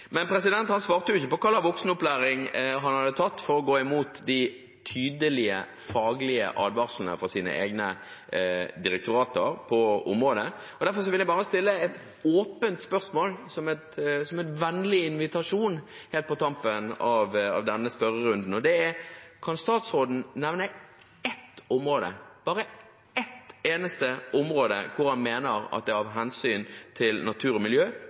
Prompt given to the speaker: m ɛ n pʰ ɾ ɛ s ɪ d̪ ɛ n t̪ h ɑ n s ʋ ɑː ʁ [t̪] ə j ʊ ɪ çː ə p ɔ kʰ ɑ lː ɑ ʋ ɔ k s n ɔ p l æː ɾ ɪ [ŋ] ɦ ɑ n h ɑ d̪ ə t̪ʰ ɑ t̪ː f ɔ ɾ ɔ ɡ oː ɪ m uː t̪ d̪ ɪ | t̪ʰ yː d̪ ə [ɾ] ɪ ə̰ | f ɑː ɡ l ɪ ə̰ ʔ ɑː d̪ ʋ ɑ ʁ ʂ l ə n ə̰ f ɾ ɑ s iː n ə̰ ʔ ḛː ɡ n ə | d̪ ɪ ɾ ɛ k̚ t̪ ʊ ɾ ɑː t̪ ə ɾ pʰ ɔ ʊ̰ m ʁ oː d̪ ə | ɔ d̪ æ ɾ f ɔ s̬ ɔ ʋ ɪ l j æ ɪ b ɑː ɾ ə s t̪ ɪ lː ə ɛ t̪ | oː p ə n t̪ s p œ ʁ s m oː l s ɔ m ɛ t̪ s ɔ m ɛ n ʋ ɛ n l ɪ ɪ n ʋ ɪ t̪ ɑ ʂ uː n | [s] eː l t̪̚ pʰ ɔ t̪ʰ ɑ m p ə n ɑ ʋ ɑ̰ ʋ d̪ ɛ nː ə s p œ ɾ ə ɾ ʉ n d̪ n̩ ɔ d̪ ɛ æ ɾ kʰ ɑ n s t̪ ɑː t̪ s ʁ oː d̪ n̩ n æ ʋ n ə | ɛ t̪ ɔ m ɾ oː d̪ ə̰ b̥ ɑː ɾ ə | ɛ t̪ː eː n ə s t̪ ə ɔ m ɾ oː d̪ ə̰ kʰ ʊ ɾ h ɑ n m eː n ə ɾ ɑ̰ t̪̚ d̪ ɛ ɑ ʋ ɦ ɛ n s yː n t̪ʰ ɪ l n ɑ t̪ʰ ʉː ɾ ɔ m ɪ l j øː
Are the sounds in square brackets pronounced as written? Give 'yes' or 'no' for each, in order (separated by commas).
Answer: yes, yes, no, no